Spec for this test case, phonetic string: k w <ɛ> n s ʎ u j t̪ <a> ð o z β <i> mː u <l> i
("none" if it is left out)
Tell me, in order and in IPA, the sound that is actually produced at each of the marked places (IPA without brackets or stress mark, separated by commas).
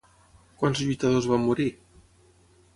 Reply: a, a, a, ɾ